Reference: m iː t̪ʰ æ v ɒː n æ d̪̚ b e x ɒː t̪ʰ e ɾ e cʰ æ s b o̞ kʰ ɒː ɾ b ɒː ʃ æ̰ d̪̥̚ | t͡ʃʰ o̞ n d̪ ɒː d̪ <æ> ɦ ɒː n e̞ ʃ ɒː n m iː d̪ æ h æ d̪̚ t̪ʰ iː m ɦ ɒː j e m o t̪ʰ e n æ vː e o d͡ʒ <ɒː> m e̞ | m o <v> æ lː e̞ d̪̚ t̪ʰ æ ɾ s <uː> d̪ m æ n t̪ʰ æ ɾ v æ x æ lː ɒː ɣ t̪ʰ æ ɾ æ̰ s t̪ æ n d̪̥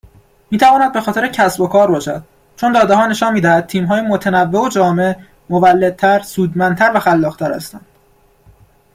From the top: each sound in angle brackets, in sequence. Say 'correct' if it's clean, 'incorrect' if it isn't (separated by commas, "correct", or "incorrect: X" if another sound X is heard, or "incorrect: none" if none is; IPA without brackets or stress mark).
incorrect: e, correct, correct, correct